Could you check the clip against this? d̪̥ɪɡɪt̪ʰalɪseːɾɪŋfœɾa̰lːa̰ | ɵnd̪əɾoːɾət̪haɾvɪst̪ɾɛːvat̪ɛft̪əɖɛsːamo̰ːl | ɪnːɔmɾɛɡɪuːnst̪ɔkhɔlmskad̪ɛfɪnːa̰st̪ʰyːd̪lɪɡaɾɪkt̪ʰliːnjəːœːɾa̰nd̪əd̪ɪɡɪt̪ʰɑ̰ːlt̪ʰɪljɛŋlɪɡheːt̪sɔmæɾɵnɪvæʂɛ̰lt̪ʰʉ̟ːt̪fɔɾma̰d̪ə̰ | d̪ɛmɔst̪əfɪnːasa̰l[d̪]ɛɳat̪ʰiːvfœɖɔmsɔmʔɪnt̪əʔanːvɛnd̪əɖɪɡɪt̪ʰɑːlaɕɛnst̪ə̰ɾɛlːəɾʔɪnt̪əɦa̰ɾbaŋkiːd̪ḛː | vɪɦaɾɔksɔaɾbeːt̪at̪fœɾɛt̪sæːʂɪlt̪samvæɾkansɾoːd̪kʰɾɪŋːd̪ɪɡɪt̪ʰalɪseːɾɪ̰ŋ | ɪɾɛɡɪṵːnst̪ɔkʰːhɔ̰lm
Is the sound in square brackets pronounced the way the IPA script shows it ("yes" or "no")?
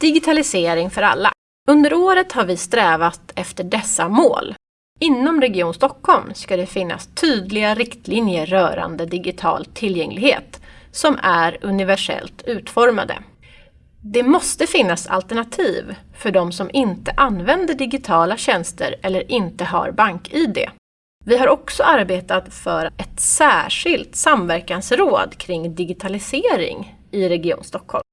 no